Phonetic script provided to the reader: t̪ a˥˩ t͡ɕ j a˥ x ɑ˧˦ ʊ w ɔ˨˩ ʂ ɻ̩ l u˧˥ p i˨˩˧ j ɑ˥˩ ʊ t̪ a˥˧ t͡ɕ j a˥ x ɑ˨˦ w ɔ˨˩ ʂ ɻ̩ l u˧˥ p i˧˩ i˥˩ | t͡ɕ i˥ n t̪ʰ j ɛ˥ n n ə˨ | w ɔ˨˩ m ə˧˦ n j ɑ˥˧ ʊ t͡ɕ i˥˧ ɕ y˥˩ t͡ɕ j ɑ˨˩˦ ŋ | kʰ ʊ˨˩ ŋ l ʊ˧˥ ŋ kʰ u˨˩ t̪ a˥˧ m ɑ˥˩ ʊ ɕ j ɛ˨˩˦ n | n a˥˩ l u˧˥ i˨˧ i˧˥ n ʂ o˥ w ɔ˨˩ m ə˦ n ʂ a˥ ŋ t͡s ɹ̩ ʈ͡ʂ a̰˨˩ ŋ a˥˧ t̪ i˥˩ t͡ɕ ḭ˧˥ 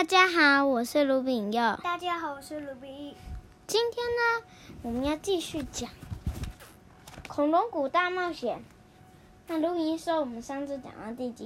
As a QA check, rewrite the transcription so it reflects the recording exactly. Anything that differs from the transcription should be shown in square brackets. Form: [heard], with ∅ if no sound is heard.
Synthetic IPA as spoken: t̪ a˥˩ t͡ɕ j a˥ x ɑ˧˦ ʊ w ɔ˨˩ ʂ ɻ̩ l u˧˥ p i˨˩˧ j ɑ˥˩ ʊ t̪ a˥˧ t͡ɕ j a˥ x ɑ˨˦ w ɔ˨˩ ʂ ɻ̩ l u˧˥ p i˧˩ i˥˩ | t͡ɕ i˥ n t̪ʰ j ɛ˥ n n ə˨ | w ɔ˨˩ m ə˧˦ n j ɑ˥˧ ʊ t͡ɕ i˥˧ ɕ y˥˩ t͡ɕ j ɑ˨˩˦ ŋ | kʰ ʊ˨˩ ŋ l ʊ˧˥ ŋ [k] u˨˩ t̪ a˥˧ m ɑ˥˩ ʊ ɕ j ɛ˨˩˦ n | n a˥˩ l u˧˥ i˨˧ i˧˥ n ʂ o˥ w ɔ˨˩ m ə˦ n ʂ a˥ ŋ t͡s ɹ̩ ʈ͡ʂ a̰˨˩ ŋ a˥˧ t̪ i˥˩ t͡ɕ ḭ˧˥